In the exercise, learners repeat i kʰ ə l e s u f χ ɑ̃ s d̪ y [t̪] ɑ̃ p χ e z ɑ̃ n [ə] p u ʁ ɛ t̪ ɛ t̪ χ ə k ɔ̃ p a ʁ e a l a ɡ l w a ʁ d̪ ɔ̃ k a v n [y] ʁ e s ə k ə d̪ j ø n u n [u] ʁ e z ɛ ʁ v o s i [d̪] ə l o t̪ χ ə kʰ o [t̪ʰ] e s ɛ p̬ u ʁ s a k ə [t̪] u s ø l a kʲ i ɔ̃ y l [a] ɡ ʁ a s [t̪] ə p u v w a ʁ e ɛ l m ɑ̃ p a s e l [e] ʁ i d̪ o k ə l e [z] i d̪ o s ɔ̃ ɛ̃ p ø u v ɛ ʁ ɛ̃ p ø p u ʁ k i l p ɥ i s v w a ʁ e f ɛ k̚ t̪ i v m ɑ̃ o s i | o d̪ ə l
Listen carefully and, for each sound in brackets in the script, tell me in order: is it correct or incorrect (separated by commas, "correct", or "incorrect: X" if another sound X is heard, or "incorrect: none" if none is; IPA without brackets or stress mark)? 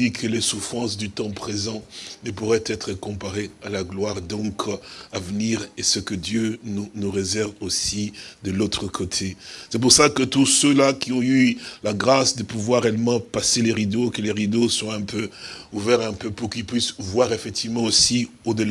correct, correct, incorrect: i, correct, correct, correct, correct, correct, incorrect: d̪, correct, incorrect: ʁ